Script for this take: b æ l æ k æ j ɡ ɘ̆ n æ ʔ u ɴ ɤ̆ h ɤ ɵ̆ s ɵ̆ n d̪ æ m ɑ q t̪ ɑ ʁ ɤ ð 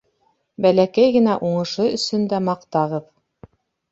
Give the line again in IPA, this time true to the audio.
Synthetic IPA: b æ l æ k æ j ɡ ɘ̆ n æ ʔ u ɴ ɤ̆ ʃ ɤ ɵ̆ s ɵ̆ n d̪ æ m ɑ q t̪ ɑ ʁ ɤ ð